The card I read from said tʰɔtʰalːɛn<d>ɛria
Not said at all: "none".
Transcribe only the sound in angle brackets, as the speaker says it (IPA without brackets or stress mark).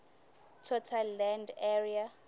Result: d